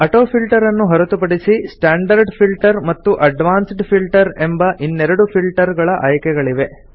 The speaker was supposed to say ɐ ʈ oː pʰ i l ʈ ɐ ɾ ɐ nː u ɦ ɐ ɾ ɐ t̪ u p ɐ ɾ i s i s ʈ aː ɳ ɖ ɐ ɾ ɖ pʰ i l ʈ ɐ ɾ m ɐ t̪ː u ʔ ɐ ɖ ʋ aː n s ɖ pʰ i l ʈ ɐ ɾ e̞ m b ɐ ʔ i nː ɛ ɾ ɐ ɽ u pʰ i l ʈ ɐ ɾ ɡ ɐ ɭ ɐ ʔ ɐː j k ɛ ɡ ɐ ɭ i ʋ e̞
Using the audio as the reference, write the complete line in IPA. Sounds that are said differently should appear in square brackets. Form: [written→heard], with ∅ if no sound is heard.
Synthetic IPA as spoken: ɐ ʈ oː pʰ i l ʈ ɐ ɾ ɐ nː u ɦ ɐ ɾ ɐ t̪ u p ɐ [ɾ→ɽ] i s i s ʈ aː ɳ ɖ ɐ ɾ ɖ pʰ i l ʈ ɐ ɾ m ɐ t̪ː u ʔ ɐ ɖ ʋ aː n s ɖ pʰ i l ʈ ɐ ɾ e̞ m b ɐ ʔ i nː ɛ ɾ ɐ ɽ u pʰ i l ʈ ɐ ɾ ɡ ɐ ɭ ɐ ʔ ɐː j k ɛ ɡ ɐ ɭ i ʋ e̞